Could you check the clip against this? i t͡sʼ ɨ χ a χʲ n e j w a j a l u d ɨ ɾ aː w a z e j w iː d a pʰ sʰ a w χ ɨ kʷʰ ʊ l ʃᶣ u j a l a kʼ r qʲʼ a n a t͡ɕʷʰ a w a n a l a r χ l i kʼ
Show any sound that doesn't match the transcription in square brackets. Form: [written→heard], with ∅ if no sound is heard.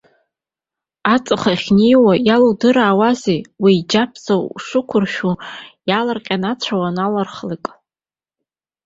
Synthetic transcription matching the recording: [i→a] t͡sʼ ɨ χ a χʲ n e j w a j a l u d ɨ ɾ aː w a z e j w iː [d→d͡ʒ] a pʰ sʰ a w [χ→ʂ] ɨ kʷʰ ʊ [l→r] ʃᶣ u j a l a [kʼ→∅] r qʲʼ a n a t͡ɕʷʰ a w a n a l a r χ l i kʼ